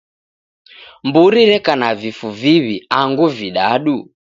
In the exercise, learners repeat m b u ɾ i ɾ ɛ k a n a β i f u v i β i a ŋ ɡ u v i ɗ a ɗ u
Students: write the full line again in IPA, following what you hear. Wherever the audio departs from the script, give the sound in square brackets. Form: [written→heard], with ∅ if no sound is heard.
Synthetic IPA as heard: m b u ɾ i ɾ ɛ k a n a [β→v] i f u v i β i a ŋ ɡ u v i ɗ a ɗ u